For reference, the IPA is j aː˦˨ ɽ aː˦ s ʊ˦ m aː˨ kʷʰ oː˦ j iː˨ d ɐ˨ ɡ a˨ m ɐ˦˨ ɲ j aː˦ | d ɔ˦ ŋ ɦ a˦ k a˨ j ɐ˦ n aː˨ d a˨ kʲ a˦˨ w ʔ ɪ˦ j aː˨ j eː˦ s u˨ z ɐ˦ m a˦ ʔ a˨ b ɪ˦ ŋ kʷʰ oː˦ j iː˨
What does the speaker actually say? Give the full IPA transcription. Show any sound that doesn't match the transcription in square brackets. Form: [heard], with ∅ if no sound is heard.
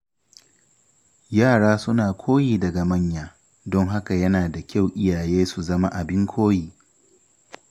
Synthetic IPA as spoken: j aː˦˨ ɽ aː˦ s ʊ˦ [n] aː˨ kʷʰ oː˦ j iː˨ d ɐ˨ ɡ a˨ m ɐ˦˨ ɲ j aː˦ | d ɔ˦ ŋ ɦ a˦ k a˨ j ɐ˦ n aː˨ d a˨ kʲ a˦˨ w ʔ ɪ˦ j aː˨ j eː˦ s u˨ z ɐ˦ m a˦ ʔ a˨ b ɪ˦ ŋ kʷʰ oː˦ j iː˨